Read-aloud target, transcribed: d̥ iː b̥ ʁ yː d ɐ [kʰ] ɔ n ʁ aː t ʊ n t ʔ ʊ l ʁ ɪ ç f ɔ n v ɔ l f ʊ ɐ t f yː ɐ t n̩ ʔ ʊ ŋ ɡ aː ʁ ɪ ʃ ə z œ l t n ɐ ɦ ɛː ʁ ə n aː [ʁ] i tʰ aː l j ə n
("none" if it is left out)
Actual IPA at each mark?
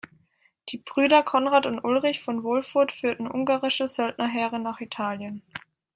kʰ, χ

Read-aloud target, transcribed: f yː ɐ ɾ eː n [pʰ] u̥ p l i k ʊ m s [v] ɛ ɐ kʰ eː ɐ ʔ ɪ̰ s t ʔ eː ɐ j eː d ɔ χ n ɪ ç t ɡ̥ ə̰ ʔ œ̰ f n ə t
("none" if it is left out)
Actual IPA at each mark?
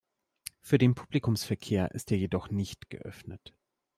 pʰ, f

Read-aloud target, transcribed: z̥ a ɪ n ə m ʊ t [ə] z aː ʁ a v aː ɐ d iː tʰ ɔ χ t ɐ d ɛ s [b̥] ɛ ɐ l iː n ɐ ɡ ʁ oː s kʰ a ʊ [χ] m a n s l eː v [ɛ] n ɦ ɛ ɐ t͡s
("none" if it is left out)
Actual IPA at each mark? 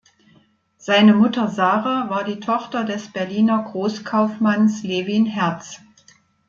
ɐ, b̥, f, i

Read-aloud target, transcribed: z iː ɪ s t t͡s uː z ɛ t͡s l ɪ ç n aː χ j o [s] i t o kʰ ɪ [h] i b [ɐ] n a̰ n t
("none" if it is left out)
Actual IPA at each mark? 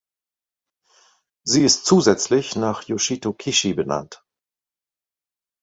ʃ, ʃ, ə

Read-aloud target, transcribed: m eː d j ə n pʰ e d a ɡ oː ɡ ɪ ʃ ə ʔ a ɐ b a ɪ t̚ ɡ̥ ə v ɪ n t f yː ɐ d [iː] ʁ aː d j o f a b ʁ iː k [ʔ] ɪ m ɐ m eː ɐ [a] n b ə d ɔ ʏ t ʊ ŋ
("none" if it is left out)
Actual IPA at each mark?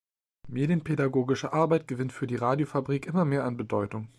iː, ʔ, a

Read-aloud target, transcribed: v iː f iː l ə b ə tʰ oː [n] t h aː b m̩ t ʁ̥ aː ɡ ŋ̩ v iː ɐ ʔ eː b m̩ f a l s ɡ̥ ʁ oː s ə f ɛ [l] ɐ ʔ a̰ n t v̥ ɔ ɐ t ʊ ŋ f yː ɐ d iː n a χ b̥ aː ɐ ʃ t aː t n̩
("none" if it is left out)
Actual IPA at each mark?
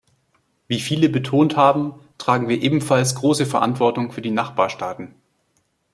n, none

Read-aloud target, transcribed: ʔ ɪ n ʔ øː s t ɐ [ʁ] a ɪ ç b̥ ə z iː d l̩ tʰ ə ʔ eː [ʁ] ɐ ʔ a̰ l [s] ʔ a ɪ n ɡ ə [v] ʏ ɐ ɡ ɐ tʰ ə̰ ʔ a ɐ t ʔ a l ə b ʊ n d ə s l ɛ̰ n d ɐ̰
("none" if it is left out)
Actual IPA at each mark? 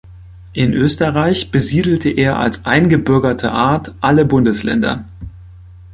ʁ, none, s, b

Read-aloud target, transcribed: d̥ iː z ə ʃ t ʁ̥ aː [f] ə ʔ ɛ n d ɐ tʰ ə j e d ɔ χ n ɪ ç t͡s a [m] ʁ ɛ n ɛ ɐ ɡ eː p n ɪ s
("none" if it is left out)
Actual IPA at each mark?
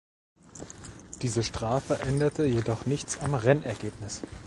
f, m

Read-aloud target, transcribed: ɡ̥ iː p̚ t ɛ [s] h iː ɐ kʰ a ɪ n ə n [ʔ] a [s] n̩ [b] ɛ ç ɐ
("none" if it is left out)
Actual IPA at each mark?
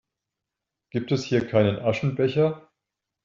s, ʔ, ʃ, b

